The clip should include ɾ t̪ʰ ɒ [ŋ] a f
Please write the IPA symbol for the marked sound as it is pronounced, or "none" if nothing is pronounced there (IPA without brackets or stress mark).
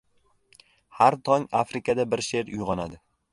ŋ